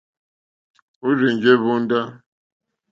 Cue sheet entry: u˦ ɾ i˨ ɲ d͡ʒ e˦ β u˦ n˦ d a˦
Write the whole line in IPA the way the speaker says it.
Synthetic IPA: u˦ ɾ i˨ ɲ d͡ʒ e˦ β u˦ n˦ d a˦